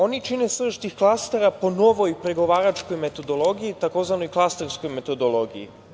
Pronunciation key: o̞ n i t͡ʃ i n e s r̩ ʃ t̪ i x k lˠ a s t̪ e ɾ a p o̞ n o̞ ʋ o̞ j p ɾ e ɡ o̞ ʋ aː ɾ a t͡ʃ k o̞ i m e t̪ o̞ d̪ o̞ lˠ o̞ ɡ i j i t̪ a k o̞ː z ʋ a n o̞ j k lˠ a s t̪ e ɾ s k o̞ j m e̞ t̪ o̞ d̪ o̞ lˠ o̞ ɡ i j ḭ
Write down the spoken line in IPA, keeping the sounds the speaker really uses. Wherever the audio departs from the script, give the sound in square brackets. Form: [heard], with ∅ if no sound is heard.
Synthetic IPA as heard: o̞ n i t͡ʃ i n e s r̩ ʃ t̪ i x k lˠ a s t̪ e ɾ a p o̞ n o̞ ʋ o̞ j p ɾ e ɡ o̞ ʋ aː ɾ a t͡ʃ k o̞ [j] m e t̪ o̞ d̪ o̞ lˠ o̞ ɡ i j i t̪ a k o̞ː z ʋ a n o̞ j k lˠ a s t̪ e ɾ s k o̞ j m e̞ t̪ o̞ d̪ o̞ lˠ o̞ ɡ i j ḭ